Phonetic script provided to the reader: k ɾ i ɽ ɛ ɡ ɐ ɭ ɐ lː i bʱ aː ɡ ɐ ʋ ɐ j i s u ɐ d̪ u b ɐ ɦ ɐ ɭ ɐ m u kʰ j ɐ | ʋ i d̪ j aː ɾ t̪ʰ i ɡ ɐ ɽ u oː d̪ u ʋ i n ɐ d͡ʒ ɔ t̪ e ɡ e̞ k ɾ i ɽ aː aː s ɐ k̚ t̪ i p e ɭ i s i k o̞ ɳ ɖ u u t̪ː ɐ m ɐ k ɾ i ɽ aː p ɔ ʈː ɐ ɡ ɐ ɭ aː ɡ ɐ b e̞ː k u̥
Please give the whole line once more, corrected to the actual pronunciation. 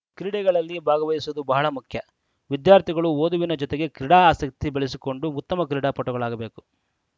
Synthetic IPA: k ɾ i ɽ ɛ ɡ ɐ ɭ ɐ lː i bʱ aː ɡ ɐ ʋ ɐ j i s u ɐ d̪ u b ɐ ɦ ɐ ɭ ɐ m u kʰ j ɐ | ʋ i d̪ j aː ɾ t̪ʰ i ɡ ɐ ɭ u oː d̪ u ʋ i n ɐ d͡ʒ ɔ t̪ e ɡ e̞ k ɾ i ɽ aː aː s ɐ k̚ t̪ i b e ɭ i s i k o̞ ɳ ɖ u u t̪ː ɐ m ɐ k ɾ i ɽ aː p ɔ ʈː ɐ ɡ ɐ ɭ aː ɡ ɐ b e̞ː k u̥